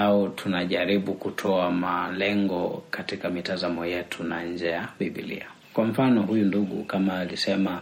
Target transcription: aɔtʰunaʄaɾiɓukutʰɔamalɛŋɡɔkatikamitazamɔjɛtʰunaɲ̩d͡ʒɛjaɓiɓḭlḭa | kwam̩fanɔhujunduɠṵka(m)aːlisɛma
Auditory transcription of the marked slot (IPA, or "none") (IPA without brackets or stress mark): m